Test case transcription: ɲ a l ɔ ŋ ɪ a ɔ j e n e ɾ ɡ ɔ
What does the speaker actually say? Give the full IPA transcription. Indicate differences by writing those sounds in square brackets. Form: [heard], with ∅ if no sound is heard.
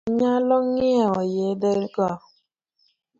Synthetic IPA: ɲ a l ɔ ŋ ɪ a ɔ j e [d] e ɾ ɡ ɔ